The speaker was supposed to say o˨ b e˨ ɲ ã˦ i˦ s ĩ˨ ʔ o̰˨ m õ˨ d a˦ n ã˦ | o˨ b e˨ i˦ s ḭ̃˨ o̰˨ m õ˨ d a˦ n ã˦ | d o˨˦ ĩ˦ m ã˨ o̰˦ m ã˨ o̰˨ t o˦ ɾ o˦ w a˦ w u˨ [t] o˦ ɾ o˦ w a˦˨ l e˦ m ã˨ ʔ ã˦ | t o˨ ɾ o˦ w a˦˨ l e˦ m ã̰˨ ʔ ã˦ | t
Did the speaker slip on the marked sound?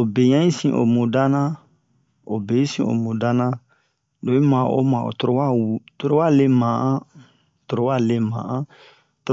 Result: no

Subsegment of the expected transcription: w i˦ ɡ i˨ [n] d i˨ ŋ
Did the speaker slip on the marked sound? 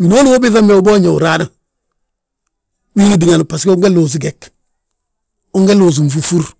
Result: yes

